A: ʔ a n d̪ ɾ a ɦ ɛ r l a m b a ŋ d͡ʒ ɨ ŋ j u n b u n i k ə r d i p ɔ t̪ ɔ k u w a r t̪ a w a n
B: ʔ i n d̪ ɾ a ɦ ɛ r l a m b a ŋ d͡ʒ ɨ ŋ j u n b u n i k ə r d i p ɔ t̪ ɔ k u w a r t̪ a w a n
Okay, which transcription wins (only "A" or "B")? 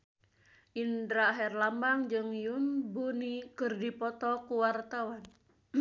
B